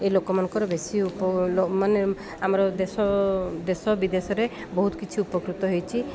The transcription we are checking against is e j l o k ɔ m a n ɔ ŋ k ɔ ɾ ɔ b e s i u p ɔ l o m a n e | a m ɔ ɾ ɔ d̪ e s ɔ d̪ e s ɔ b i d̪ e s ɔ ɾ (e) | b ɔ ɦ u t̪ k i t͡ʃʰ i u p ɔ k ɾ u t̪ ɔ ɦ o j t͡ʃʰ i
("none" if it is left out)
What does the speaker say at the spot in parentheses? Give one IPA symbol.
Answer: e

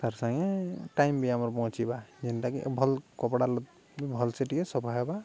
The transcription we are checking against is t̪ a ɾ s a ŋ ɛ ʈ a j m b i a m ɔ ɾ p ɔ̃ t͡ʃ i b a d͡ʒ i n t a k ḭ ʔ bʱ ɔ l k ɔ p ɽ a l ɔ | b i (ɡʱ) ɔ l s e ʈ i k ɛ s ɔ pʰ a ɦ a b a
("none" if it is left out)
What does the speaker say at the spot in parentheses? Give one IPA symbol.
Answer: bʱ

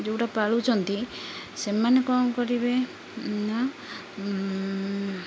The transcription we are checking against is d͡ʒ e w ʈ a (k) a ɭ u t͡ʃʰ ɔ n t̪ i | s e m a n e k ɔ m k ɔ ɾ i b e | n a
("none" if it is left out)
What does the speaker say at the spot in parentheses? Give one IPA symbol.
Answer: p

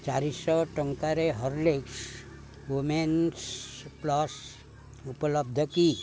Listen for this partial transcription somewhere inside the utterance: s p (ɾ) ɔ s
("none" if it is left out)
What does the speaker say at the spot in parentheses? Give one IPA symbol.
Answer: l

